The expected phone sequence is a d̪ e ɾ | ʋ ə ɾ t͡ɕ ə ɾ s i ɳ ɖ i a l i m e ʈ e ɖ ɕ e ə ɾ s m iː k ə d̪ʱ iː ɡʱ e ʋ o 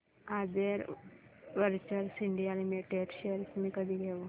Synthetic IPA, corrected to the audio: a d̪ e ɾ | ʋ ə ɾ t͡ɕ ə ɾ s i ɳ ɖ i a l i m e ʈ e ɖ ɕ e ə ɾ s m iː k ə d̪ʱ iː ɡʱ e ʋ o